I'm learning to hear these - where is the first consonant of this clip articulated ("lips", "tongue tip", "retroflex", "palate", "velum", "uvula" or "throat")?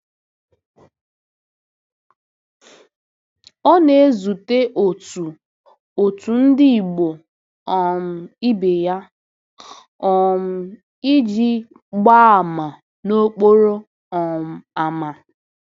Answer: tongue tip